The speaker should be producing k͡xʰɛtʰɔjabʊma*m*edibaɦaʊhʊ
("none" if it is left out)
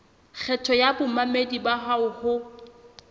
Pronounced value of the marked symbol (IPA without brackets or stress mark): m